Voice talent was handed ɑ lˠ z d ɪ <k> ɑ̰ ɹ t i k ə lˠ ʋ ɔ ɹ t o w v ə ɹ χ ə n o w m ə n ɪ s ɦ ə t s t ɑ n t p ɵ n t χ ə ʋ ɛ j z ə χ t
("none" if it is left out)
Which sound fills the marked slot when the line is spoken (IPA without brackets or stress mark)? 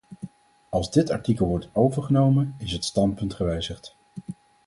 t